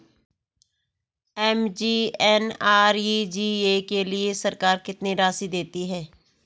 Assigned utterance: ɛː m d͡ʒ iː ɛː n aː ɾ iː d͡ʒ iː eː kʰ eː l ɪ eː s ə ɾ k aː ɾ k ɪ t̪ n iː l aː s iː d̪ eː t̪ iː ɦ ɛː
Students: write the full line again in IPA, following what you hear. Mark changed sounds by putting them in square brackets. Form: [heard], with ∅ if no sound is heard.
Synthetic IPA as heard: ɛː m d͡ʒ iː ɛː n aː ɾ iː d͡ʒ iː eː [k] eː l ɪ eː s ə ɾ k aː ɾ k ɪ t̪ n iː [ɾ] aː s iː d̪ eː t̪ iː ɦ ɛː